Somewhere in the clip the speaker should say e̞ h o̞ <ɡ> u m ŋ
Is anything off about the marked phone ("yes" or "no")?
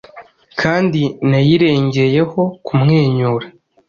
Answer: yes